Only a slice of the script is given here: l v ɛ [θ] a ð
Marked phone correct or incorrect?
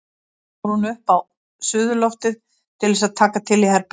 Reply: incorrect